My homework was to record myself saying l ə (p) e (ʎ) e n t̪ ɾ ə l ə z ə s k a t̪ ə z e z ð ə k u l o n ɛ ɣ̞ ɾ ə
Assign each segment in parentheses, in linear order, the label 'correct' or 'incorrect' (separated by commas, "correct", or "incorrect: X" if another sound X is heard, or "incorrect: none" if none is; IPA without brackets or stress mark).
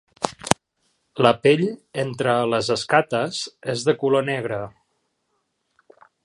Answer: correct, correct